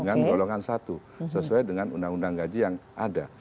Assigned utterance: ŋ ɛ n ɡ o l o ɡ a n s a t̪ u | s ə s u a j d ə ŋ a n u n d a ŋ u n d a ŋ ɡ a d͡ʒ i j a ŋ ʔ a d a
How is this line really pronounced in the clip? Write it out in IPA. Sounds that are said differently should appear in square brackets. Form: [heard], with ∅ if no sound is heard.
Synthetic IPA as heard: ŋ [a] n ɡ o l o [ŋ] a n s a t̪ u | s ə s u a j d ə ŋ a n u n d a ŋ u n d a ŋ ɡ a d͡ʒ i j a ŋ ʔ a d a